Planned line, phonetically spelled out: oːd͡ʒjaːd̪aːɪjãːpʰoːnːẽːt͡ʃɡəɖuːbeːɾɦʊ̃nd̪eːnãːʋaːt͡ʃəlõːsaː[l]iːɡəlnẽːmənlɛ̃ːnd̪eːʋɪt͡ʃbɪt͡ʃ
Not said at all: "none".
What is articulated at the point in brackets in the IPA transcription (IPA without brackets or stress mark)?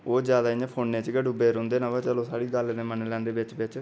ɽ